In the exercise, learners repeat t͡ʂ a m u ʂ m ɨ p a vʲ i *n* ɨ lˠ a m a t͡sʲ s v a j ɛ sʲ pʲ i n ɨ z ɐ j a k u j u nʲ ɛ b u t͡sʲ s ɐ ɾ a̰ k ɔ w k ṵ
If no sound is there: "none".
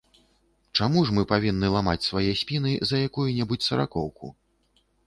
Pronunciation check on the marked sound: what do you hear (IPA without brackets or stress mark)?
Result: nː